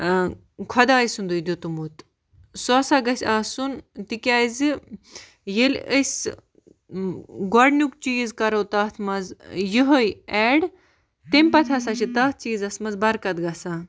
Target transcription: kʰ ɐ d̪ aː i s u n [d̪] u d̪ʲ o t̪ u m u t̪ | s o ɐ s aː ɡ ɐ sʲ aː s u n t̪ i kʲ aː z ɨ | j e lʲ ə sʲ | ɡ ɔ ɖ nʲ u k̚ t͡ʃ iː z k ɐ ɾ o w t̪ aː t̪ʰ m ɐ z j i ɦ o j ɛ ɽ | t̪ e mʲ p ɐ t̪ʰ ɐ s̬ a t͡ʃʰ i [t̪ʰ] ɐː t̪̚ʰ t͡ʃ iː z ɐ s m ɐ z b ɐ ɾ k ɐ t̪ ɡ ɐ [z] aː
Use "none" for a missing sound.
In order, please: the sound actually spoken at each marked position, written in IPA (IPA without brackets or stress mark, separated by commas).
d̪, t̪, s